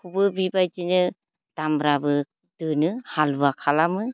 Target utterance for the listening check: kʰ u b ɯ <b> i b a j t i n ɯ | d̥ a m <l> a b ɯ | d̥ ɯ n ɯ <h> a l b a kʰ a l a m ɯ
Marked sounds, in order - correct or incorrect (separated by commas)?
correct, incorrect, correct